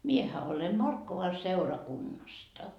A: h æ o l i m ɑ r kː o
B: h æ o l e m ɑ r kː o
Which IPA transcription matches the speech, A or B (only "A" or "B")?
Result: B